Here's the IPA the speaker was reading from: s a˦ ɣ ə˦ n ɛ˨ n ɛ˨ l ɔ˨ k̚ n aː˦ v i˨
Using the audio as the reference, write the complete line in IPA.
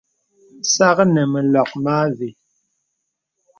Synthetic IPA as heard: s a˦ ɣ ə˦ n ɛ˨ m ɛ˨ l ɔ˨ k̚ m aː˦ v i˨